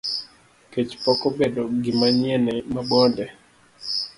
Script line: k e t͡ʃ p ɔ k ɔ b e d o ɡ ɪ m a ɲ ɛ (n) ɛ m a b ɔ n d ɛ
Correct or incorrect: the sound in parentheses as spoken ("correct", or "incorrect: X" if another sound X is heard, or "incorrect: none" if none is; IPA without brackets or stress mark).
correct